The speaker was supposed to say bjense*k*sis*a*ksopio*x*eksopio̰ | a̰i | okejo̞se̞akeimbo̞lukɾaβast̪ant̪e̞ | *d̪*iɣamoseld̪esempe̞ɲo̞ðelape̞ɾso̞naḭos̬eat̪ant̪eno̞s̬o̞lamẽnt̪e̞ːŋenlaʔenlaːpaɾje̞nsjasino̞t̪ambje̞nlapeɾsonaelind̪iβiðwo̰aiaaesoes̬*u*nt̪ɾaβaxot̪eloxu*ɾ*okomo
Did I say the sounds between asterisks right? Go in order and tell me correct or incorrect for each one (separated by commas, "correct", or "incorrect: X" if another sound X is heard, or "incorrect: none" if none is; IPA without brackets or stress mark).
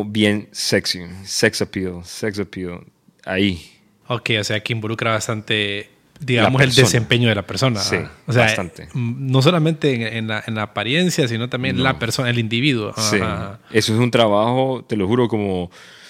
correct, incorrect: e, incorrect: s, correct, correct, correct